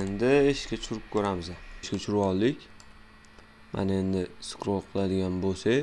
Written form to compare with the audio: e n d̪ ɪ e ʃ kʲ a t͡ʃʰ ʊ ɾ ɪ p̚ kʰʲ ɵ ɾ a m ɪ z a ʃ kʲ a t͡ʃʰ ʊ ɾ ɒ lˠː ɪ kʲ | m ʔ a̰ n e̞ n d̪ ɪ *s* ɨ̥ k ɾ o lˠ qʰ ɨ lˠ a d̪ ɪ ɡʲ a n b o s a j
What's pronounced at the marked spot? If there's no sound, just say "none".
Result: s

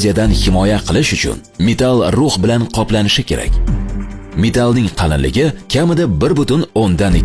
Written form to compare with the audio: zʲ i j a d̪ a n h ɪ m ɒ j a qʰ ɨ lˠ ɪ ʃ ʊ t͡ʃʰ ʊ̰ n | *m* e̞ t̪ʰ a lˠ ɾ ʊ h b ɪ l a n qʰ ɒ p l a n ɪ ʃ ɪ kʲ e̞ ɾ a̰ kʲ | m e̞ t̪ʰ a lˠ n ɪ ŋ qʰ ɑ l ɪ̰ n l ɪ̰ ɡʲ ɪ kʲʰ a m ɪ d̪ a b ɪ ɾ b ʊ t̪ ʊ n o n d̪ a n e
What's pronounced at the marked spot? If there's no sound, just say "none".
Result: m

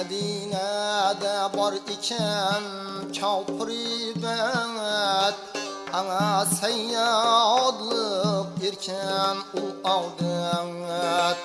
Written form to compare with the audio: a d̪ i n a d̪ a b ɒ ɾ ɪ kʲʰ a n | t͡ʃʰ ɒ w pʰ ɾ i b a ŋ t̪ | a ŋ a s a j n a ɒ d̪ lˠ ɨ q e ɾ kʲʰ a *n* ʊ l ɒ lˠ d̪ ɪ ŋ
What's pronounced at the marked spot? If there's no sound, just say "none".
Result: n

